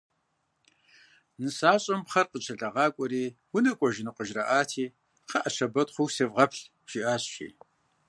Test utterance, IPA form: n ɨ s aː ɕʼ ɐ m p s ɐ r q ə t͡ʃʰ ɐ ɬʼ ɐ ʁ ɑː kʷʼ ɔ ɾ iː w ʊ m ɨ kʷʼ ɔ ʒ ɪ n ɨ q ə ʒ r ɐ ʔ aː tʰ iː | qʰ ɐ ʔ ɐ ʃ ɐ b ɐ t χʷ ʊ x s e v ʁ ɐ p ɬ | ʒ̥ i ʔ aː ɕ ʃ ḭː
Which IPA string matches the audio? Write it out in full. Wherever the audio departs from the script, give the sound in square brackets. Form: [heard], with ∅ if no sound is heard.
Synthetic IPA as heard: n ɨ s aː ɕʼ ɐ m p [χ] ɐ r q ə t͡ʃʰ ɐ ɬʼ ɐ ʁ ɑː kʷʼ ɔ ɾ iː w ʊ [n] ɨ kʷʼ ɔ ʒ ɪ n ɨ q ə ʒ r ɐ ʔ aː tʰ iː | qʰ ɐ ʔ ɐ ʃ ɐ b ɐ t χʷ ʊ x s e v ʁ ɐ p ɬ | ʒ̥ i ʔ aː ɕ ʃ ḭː